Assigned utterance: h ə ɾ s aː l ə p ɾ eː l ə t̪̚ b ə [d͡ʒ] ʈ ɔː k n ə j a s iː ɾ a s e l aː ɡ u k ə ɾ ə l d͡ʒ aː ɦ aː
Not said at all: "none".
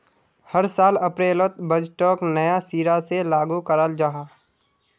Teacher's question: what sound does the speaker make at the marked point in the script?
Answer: d͡ʒ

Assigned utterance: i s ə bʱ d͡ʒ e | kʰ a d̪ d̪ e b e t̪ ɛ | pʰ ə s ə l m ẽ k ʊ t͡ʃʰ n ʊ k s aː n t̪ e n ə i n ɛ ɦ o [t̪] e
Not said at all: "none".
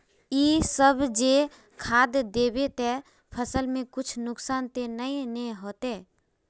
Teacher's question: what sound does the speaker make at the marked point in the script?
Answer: t̪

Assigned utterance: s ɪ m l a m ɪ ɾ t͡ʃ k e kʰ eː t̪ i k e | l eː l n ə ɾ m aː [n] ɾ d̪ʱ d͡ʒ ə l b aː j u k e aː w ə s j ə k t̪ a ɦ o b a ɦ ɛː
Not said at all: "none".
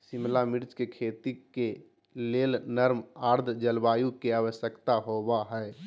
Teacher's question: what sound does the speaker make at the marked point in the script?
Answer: none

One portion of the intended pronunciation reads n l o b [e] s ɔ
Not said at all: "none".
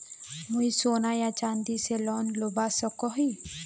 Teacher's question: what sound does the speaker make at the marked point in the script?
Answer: a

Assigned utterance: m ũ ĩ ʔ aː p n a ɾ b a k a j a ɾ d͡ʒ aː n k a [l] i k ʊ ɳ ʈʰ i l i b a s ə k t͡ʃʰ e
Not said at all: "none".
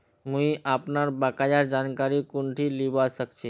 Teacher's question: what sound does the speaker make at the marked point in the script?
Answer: ɾ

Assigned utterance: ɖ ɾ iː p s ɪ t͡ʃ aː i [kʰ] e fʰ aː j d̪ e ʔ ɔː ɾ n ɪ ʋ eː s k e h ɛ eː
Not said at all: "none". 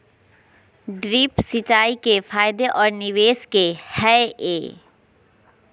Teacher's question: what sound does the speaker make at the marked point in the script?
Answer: k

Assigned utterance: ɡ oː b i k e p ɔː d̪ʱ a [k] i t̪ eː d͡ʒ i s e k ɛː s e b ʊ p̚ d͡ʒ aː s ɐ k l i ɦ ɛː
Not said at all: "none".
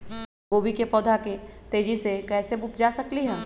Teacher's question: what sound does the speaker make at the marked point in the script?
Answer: k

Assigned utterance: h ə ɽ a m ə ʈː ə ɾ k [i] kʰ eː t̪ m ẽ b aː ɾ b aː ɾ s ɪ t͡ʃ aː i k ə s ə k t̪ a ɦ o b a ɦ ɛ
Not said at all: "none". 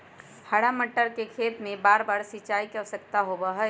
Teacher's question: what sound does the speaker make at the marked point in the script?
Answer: e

